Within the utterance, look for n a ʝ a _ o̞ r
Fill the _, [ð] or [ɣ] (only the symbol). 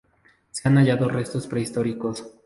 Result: ð